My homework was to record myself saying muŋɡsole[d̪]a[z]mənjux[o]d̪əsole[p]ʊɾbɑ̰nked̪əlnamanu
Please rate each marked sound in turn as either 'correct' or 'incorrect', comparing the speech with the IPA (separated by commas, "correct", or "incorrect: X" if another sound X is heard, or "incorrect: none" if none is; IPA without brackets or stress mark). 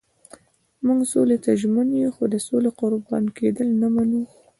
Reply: incorrect: t̪, incorrect: ʒ, correct, incorrect: q